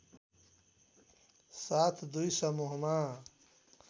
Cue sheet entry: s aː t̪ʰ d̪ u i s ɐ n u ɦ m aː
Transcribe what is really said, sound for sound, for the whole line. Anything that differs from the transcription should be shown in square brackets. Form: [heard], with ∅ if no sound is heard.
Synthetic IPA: s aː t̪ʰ d̪ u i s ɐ [m] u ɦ m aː